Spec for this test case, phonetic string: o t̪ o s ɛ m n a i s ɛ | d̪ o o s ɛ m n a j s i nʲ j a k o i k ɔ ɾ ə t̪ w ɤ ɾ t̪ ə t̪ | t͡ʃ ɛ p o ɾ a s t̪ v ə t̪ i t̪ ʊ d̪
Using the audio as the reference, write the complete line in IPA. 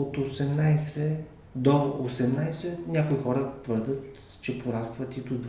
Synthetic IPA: o t̪ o s ɛ m n a j s ɛ | d̪ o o s ɛ m n a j s ɛ nʲ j a k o i x ɔ ɾ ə t̪ v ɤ ɾ d̪ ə t̪ | t͡ʃ ɛ p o ɾ a s t̪ v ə t̪ i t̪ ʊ d̪